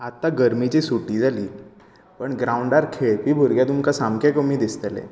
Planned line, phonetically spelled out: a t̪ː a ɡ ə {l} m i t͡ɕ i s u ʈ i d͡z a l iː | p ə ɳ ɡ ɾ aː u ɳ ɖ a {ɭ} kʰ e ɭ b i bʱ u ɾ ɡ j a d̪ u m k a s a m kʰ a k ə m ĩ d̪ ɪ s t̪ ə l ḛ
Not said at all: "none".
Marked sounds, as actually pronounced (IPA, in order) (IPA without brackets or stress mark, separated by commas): ɾ, ɾ